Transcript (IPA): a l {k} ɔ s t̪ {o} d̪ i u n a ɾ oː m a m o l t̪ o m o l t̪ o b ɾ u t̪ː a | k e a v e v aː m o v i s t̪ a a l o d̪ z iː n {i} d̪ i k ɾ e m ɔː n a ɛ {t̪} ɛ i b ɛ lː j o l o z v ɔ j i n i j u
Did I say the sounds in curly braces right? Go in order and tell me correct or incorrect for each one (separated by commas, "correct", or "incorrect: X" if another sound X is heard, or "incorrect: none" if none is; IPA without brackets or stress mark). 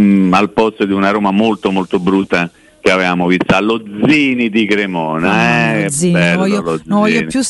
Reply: incorrect: p, correct, correct, incorrect: none